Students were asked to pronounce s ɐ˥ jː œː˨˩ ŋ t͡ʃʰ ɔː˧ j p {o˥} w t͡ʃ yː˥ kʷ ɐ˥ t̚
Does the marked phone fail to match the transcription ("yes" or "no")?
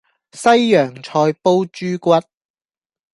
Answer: no